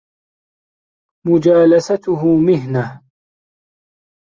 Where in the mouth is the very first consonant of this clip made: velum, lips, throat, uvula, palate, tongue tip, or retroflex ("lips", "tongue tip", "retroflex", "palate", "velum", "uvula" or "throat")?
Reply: lips